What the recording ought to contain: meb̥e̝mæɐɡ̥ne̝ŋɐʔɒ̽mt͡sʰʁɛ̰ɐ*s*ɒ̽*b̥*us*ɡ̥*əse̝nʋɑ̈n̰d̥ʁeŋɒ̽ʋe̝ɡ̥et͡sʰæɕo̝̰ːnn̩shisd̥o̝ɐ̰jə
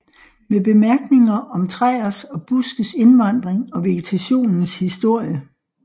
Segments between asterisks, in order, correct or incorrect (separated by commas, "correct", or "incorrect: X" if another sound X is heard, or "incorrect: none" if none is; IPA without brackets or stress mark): correct, correct, correct